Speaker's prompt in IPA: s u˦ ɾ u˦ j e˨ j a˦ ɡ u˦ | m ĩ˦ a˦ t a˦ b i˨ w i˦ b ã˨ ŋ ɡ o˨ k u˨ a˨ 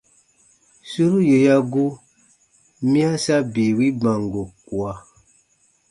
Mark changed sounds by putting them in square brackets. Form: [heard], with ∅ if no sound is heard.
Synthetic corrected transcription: s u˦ ɾ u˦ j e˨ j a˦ ɡ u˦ | m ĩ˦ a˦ [s] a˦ b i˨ w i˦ b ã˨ ŋ ɡ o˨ k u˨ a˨